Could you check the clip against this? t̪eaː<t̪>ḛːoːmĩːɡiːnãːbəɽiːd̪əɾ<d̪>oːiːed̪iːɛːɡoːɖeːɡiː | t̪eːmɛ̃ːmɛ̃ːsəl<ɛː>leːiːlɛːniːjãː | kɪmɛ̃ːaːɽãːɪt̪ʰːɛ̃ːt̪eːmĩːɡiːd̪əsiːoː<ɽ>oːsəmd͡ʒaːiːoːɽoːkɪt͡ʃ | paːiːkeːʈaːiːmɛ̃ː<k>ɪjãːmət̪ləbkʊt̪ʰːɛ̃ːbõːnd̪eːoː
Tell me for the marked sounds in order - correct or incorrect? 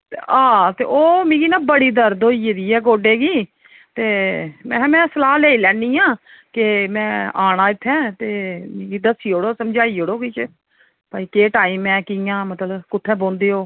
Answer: correct, correct, incorrect, correct, correct

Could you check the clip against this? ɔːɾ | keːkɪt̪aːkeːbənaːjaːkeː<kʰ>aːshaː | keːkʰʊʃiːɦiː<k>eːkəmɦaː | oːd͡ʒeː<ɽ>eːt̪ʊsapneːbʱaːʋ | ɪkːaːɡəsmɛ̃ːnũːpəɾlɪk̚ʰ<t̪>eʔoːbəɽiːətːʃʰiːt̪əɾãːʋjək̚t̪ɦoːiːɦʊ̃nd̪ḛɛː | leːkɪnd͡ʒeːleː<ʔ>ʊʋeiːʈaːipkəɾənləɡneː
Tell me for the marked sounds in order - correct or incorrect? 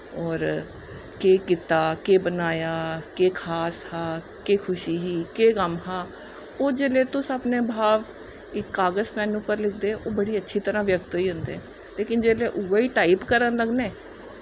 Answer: correct, correct, incorrect, incorrect, correct

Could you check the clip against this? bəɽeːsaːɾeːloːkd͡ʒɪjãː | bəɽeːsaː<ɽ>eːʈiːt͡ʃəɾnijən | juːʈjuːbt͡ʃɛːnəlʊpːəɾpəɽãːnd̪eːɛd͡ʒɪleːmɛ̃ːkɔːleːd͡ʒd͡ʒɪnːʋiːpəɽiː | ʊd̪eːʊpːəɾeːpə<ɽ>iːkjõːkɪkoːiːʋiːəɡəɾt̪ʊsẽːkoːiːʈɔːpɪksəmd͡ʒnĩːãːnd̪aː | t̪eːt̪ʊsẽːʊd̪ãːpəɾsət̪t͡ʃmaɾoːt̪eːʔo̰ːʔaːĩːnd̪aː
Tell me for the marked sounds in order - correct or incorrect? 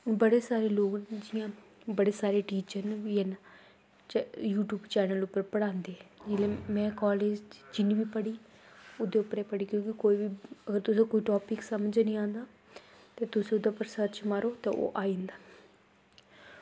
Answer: incorrect, correct

